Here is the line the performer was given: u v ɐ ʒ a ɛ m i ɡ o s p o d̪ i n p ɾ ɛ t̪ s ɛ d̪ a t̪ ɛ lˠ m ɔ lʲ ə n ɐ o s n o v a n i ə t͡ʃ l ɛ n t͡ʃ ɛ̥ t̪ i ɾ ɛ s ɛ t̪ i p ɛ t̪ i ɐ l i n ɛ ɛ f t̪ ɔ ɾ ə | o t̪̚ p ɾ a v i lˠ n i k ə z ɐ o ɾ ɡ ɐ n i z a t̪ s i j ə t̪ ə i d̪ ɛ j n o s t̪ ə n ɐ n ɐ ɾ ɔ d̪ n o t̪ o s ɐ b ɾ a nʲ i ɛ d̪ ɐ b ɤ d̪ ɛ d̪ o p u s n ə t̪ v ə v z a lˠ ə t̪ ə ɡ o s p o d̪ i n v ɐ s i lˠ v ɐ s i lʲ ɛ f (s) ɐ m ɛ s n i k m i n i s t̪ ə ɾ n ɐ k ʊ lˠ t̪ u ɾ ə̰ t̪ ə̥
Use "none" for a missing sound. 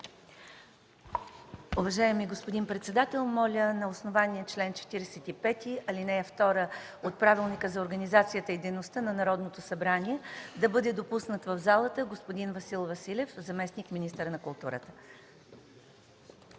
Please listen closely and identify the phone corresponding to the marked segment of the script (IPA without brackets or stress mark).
z